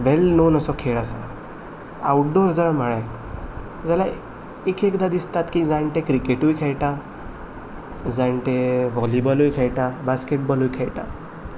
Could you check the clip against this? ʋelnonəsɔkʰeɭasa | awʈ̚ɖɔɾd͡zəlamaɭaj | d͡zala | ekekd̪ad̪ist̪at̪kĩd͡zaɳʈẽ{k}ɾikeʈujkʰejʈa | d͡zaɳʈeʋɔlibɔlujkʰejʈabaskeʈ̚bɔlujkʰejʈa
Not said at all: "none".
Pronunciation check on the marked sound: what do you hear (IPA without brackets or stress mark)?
k